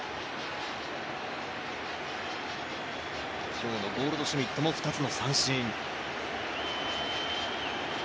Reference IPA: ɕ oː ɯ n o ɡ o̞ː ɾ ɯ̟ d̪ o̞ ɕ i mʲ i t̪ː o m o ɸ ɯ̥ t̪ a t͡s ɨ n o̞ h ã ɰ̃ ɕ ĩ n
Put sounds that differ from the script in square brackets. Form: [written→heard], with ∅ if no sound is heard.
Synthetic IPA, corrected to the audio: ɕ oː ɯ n o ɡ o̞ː ɾ ɯ̟ d̪ o̞ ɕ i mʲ i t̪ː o m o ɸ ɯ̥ t̪ a t͡s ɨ n o̞ [h→s] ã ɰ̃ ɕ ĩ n